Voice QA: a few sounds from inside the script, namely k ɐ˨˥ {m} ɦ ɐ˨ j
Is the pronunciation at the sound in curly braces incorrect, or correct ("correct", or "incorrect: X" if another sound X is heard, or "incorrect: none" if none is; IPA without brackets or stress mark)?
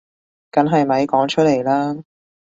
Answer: incorrect: n